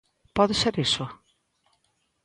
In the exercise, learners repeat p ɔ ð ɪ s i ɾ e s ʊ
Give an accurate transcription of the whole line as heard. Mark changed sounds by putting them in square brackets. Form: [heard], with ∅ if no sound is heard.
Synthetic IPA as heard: p ɔ ð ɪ s [e] ɾ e s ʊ